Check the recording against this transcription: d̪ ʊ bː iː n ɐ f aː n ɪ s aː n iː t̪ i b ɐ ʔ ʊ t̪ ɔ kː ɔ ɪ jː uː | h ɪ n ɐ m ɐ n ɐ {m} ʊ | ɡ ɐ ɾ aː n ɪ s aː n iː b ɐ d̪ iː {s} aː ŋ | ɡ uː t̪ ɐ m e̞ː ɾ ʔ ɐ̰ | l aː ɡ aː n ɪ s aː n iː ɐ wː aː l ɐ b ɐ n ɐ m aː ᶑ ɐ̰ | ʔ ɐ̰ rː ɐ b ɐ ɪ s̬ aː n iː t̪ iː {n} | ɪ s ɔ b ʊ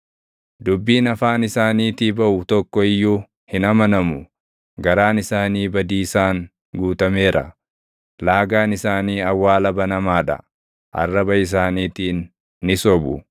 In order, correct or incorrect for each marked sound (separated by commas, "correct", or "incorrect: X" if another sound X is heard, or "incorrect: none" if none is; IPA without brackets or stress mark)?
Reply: correct, correct, incorrect: nː